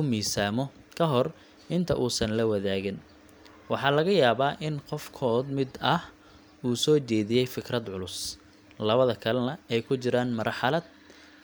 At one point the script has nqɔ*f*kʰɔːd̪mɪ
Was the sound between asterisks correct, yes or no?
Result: yes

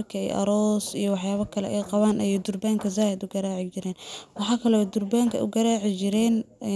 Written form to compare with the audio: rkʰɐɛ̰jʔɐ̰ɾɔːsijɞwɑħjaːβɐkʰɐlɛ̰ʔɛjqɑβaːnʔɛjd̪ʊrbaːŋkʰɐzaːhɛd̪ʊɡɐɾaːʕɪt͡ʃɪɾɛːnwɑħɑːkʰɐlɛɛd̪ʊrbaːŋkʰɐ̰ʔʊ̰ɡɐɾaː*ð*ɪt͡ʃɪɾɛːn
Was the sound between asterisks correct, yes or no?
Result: no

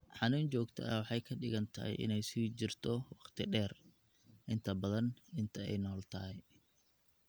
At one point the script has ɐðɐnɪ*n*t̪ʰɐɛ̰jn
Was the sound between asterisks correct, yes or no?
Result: yes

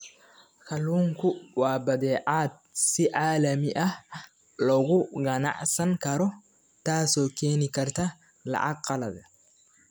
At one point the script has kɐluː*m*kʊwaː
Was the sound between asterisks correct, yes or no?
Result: no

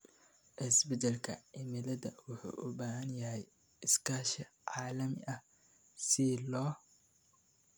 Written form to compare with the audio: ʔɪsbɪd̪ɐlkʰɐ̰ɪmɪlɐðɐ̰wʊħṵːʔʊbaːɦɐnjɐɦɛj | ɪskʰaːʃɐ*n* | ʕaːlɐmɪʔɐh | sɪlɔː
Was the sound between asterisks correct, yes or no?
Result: no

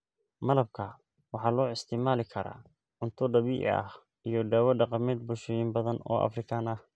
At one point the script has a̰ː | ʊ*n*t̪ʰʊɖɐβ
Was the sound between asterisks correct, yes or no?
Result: yes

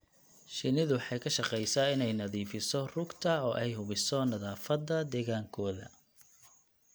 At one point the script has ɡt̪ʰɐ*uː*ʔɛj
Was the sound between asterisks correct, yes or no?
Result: no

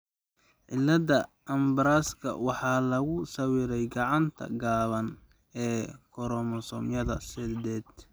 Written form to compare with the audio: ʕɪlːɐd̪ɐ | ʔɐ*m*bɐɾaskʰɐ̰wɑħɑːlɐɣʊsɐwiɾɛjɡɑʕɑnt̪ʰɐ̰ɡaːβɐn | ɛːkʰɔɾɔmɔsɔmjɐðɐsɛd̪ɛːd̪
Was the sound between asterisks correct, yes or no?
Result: yes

